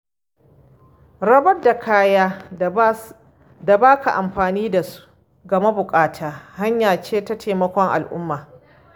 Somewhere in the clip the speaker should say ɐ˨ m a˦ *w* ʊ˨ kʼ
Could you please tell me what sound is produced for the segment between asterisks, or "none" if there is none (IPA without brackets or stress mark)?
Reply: b